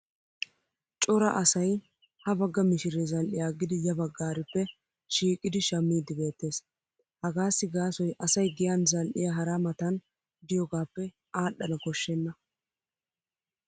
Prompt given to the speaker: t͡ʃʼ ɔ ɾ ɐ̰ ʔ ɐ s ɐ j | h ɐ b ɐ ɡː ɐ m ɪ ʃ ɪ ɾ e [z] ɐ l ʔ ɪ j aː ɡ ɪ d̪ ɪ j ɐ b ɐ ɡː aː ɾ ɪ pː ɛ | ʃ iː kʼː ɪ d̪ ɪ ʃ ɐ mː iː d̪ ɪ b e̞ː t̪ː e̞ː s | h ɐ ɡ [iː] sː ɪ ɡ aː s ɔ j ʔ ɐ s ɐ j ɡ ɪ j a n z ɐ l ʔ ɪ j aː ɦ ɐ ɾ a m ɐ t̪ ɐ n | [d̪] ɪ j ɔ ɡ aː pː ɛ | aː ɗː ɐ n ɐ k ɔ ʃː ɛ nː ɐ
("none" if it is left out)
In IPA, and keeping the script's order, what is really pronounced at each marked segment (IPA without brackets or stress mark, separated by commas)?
z, aː, d̪